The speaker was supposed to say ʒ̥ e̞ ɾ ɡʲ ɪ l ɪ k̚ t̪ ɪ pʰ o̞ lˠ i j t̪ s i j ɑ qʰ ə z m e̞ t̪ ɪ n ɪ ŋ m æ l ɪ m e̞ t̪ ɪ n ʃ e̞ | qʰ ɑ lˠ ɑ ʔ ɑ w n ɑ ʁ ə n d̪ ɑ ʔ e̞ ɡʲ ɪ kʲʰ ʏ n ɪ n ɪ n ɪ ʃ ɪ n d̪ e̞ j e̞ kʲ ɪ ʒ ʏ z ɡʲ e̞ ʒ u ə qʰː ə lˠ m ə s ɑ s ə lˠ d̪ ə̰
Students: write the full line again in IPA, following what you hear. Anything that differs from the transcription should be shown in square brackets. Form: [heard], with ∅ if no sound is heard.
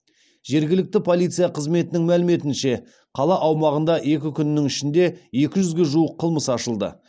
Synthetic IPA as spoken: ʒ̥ e̞ ɾ ɡʲ ɪ l ɪ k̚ t̪ ɪ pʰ o̞ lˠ i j t̪ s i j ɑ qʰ ə z m e̞ t̪ ɪ n ɪ ŋ m æ l ɪ m e̞ t̪ ɪ n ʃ e̞ | qʰ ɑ lˠ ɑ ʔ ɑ w [m] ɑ ʁ ə n d̪ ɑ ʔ e̞ [kʲ] ɪ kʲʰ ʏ n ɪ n ɪ [ŋ] ɪ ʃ ɪ n d̪ e̞ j e̞ kʲ ɪ ʒ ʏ z ɡʲ e̞ ʒ u ə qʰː ə lˠ m ə s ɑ [ʃ] ə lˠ d̪ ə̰